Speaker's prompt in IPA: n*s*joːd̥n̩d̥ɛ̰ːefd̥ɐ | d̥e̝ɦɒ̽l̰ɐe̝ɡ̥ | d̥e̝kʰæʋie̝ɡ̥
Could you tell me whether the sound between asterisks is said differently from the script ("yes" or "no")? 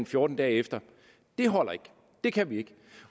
yes